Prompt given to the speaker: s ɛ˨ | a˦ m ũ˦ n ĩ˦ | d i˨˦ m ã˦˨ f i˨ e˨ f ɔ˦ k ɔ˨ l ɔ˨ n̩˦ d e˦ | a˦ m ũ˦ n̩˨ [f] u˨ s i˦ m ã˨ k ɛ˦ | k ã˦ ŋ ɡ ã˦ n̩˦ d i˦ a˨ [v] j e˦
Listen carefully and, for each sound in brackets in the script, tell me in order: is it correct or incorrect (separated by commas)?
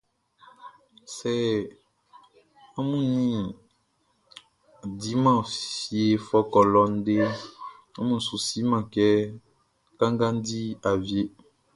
incorrect, correct